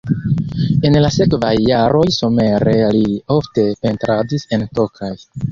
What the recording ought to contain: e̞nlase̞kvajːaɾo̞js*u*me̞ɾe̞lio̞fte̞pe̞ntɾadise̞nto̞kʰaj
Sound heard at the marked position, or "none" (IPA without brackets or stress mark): o